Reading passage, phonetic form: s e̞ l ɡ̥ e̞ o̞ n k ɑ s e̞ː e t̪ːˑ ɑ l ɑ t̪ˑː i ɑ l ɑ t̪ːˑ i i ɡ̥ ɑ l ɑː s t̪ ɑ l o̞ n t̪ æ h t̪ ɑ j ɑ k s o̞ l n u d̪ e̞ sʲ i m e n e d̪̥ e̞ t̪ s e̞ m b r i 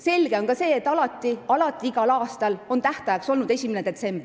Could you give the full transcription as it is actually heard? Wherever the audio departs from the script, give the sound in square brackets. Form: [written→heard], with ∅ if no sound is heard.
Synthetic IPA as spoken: s e̞ l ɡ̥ e̞ o̞ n k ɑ s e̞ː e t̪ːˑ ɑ l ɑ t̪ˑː i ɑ l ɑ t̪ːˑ i i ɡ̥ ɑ l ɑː s t̪ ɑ l o̞ n t̪ æ h t̪ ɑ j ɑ k s o̞ l n u d̪ e̞ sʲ i m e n e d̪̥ e̞ t̪ s e̞ m b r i